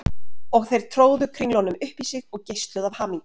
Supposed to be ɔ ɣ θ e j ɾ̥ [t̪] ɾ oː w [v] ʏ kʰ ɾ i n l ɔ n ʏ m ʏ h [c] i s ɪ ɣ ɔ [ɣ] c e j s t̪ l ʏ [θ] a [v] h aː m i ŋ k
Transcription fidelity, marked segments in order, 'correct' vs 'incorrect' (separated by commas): incorrect, incorrect, incorrect, correct, incorrect, correct